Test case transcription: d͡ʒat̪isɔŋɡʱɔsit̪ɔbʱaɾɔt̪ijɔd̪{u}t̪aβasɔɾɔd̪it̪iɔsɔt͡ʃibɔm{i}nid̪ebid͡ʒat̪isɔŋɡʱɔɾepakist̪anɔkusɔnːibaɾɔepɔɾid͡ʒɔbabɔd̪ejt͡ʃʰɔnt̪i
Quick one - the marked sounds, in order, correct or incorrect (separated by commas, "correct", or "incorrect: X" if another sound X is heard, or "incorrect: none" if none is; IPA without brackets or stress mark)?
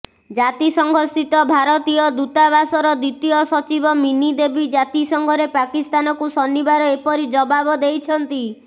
correct, correct